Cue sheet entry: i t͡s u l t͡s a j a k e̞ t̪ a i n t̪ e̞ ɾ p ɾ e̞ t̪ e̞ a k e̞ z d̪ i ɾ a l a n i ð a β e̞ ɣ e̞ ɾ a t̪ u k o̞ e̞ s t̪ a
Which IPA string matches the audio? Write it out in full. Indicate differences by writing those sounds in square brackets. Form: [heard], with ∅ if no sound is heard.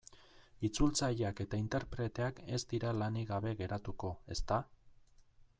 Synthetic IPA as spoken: i t͡s u l t͡s a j a k e̞ t̪ a i n t̪ e̞ ɾ p ɾ e̞ t̪ e̞ a k e̞ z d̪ i ɾ a l a n i [ɣ] a β e̞ ɣ e̞ ɾ a t̪ u k o̞ e̞ s t̪ a